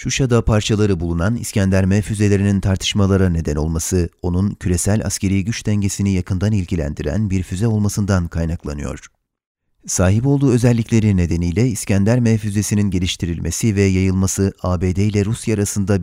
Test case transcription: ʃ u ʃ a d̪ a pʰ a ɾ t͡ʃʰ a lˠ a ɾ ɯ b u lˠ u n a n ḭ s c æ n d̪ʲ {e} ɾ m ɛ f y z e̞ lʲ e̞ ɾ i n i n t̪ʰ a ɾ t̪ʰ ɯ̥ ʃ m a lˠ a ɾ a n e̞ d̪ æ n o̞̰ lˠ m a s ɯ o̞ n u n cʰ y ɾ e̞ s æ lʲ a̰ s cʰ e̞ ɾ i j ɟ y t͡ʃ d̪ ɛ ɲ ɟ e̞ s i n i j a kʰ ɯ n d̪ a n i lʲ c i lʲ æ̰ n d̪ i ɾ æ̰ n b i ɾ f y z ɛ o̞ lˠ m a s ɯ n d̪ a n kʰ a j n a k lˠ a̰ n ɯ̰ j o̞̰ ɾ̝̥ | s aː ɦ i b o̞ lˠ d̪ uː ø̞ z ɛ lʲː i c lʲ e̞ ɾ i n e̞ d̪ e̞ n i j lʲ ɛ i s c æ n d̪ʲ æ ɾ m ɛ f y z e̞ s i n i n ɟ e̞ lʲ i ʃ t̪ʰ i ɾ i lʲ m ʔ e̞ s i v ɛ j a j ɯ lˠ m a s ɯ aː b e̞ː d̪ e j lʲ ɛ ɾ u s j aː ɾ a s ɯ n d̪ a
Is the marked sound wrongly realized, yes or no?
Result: yes